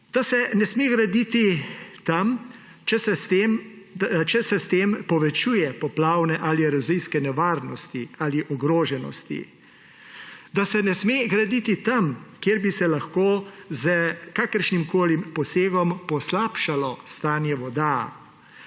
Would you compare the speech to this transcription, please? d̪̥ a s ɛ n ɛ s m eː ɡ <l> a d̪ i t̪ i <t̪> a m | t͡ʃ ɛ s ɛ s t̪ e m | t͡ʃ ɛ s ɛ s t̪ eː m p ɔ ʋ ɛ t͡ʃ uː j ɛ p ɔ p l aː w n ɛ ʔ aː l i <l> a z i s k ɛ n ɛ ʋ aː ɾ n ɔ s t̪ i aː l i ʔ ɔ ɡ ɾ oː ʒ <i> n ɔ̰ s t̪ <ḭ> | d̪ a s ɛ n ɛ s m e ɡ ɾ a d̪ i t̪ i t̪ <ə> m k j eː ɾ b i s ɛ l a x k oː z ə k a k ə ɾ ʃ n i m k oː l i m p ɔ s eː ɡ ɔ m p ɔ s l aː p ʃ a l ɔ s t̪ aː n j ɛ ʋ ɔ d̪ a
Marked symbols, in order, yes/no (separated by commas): no, yes, no, no, yes, no